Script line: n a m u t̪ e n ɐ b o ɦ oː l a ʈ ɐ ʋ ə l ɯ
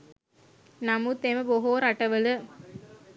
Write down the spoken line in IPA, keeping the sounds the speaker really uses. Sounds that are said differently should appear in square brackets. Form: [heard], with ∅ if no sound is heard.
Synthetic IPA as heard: n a m u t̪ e [m] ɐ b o ɦ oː [ɾ] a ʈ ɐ ʋ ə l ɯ